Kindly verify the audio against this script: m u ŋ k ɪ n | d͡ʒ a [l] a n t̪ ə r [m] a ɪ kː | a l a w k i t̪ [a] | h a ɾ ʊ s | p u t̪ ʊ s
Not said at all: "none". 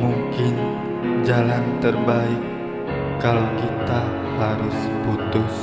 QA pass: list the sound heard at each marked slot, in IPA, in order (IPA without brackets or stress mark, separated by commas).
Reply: l, b, a